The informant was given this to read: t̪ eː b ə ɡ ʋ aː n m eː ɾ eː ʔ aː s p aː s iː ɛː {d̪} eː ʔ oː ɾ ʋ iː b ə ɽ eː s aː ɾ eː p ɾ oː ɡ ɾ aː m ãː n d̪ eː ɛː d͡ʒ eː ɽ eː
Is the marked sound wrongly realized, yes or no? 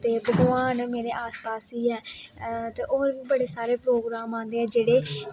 yes